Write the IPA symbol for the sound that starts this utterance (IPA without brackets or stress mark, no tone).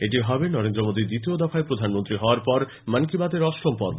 e